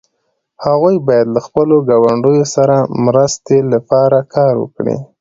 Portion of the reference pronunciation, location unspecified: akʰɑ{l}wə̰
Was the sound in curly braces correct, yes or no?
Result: no